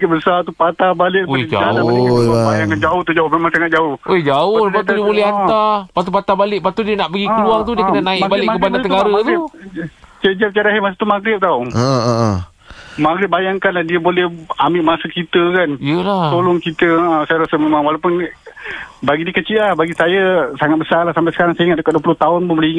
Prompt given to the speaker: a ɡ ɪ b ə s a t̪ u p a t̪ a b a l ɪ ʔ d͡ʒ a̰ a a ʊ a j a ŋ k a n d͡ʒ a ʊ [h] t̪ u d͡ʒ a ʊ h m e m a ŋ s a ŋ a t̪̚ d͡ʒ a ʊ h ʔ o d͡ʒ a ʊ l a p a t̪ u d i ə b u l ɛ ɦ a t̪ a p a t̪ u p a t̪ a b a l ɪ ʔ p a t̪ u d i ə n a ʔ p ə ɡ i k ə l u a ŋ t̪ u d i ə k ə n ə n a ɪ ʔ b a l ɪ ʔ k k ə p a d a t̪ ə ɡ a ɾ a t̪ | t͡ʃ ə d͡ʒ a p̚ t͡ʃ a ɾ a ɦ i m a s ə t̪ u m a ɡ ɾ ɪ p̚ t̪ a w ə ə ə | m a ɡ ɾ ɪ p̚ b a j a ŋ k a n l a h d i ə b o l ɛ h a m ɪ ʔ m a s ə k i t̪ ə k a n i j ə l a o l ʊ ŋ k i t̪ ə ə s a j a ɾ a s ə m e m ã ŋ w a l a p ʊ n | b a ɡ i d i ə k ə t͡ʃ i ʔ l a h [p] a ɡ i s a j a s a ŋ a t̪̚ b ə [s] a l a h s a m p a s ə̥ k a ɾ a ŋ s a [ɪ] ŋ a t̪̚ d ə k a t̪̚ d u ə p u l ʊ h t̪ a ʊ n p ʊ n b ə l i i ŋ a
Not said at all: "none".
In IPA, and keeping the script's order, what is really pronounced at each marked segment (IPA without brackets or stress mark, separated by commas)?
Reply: h, b, s, i